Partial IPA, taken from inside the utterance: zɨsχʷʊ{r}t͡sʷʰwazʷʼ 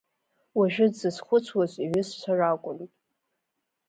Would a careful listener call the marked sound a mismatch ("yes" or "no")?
yes